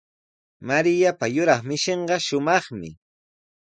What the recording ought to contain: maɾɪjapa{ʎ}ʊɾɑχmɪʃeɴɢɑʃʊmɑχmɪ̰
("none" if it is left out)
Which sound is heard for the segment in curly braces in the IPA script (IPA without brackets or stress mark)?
j